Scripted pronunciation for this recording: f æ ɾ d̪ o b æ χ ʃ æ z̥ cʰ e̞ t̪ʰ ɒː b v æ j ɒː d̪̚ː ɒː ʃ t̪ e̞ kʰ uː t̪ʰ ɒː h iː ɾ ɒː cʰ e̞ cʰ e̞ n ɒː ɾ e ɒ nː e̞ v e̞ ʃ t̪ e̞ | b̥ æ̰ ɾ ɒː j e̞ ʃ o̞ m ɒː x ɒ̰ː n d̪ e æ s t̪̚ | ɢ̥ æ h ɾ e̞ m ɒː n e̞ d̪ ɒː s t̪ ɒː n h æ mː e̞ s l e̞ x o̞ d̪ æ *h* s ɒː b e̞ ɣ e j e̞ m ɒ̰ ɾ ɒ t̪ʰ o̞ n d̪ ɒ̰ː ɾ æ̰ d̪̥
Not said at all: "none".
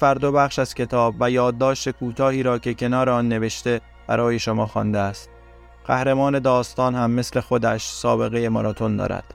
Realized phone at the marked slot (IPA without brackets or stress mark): ʃ